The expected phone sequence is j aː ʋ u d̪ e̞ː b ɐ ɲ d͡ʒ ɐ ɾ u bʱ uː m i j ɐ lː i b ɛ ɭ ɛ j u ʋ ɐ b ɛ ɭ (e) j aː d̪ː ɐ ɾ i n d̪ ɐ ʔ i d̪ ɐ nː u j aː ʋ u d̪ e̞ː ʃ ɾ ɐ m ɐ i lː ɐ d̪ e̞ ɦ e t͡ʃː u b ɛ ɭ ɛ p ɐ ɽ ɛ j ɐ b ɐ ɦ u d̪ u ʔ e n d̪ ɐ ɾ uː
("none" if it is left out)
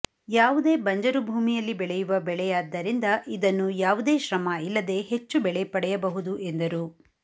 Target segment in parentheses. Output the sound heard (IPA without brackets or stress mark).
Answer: ɛ